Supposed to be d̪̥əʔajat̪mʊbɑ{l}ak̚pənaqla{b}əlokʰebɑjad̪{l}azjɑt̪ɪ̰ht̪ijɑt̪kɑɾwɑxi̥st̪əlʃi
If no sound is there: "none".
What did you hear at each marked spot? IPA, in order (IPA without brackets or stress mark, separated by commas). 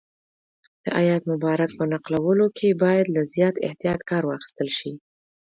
ɾ, w, l